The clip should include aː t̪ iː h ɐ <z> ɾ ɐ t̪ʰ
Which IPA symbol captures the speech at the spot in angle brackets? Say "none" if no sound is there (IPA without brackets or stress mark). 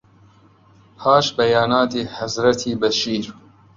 z